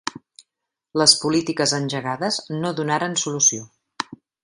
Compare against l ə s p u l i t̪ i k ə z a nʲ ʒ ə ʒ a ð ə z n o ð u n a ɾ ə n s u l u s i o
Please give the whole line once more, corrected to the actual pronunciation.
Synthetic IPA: l ə s p u l i t̪ i k ə z ə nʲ ʒ ə ɣ a ð ə z n o ð u n a ɾ ə n s u l u s i o